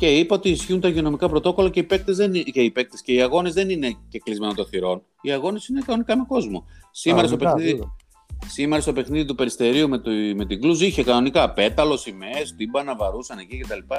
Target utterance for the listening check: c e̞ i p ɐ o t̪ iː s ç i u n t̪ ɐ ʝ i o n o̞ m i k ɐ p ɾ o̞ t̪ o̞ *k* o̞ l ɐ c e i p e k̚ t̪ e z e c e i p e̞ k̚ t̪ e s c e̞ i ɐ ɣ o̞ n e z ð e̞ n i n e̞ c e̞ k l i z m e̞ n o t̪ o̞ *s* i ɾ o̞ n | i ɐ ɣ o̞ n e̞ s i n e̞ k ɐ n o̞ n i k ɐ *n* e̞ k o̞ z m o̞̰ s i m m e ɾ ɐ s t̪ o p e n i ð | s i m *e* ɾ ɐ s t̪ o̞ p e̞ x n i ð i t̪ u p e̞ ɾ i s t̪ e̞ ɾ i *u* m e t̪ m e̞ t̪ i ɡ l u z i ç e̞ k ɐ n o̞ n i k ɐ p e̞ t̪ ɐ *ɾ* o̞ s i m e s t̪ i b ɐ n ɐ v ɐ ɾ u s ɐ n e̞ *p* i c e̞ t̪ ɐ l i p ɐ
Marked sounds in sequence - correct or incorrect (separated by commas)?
correct, incorrect, incorrect, correct, correct, incorrect, incorrect